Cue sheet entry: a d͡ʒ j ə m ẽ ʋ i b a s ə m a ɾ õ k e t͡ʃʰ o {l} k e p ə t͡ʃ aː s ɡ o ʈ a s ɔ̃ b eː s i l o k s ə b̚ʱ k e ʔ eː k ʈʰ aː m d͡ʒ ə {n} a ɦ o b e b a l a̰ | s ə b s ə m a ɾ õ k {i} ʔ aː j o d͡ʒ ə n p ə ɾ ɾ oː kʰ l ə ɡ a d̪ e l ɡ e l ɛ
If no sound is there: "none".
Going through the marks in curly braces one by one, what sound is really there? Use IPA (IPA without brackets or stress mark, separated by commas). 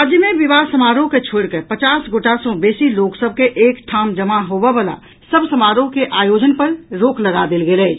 ɽ, m, e